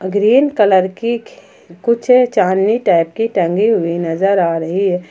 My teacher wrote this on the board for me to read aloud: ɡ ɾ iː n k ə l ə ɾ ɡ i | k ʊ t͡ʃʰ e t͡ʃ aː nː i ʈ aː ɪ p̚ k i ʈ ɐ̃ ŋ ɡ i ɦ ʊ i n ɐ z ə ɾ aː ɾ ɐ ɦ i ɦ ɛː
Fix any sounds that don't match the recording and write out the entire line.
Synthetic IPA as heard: ɡ ɾ iː n k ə l ə ɾ k i | k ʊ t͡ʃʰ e t͡ʃ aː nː i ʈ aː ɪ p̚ k i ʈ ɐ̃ ŋ ɡ i ɦ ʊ i n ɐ z ə ɾ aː ɾ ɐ ɦ i ɦ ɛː